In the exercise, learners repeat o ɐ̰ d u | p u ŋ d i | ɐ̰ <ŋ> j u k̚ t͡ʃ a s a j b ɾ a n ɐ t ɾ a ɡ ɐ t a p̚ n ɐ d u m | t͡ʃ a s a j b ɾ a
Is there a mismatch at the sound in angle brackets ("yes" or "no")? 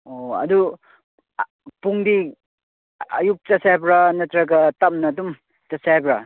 yes